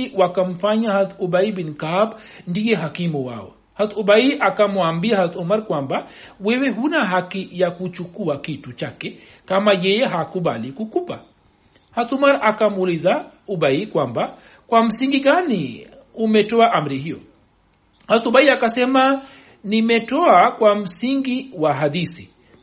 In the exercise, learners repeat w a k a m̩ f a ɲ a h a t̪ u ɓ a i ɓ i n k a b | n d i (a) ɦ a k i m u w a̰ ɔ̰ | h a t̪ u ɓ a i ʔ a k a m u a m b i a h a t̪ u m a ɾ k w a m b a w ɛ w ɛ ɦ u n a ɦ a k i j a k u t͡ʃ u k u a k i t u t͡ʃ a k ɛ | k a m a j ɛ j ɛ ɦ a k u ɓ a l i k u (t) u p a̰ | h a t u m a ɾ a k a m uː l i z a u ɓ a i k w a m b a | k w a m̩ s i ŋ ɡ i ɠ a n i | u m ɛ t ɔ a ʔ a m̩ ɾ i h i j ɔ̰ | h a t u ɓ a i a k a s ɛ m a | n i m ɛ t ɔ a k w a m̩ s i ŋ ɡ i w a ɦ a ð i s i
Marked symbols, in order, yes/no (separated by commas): no, no